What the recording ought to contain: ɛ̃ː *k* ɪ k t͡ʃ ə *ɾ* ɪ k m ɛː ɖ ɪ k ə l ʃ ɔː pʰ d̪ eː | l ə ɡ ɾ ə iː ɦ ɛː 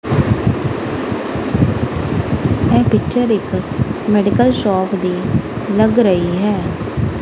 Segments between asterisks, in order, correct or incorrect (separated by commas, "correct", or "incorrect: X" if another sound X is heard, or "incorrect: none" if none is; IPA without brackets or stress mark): incorrect: p, correct